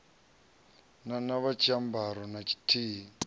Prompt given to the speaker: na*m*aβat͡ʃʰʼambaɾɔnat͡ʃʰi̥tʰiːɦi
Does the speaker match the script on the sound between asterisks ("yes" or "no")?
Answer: no